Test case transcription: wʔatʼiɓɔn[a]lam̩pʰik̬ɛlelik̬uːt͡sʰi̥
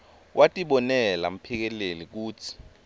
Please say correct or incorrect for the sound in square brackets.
incorrect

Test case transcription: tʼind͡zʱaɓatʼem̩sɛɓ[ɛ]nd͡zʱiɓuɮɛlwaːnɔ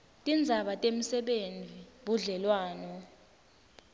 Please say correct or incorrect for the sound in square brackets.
incorrect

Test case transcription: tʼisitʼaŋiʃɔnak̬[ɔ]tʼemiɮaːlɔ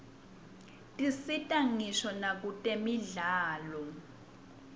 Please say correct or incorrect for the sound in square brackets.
incorrect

